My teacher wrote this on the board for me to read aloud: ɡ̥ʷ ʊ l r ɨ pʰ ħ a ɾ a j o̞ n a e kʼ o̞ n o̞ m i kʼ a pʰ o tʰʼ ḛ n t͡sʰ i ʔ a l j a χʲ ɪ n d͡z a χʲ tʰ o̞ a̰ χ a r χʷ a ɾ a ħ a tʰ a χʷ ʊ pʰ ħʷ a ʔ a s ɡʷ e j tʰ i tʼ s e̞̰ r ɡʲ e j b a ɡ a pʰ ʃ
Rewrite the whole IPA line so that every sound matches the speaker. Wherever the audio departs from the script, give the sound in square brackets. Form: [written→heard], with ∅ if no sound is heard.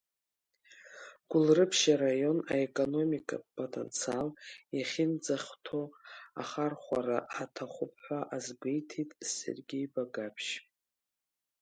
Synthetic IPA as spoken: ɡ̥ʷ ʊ l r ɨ pʰ [ħ→ʃ] a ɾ a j o̞ n a e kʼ o̞ n o̞ m i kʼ a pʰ o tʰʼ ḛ n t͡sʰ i [ʔ→∅] a l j a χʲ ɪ n d͡z a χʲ tʰ o̞ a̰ χ a r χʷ a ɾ a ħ a tʰ a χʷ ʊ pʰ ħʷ a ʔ a [s→z] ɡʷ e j tʰ i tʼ s e̞̰ r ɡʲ e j b a ɡ a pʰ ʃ